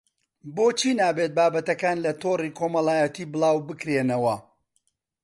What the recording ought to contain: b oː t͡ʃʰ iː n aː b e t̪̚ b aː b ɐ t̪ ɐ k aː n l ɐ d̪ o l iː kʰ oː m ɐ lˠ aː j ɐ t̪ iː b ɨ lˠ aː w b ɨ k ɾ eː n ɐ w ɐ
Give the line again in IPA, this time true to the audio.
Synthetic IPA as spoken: b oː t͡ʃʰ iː n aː b e t̪̚ b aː b ɐ t̪ ɐ k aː n l ɐ t̪ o r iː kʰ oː m ɐ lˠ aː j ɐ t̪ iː b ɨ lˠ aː w b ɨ k ɾ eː n ɐ w ɐ